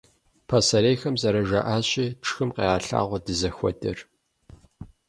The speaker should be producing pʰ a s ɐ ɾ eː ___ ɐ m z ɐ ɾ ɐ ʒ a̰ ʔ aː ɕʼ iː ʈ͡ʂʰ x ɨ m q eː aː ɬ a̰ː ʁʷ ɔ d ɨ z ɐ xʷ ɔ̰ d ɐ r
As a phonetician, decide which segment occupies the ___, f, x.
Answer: x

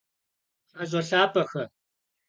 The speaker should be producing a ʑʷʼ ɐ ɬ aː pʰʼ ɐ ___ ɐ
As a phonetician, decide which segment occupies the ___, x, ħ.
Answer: x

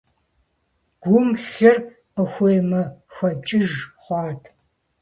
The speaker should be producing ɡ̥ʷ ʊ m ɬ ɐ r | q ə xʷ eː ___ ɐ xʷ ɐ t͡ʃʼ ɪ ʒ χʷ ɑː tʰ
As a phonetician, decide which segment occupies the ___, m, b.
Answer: m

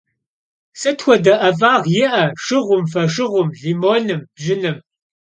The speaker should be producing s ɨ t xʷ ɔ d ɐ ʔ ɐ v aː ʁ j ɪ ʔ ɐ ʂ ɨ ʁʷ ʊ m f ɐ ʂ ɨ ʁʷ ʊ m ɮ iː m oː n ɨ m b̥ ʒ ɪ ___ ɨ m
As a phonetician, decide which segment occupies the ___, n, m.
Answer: n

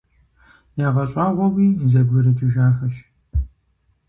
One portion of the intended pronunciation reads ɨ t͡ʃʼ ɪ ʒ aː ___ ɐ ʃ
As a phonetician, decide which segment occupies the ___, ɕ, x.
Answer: x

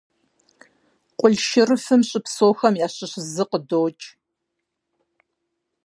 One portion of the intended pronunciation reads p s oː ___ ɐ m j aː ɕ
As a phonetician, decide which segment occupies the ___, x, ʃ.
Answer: x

